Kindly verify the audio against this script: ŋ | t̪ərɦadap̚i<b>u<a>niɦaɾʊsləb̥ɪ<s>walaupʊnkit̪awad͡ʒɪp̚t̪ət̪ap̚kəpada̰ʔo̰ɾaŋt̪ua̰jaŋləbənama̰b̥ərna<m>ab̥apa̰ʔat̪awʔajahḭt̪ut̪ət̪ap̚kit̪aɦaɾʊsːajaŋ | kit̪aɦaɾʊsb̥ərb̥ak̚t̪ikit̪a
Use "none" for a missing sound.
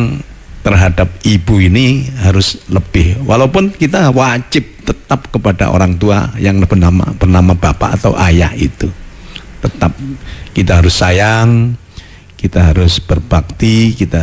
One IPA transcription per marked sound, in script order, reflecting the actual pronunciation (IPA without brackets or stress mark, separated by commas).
b, i, h, m